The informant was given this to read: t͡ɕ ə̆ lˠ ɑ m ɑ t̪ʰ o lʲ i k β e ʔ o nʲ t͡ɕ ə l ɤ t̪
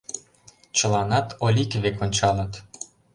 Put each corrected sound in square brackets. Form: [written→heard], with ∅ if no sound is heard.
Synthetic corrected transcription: t͡ɕ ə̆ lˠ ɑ [m→n] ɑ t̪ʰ o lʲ i k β e [ʔ→k] o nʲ t͡ɕ [ə→ɑ] l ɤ t̪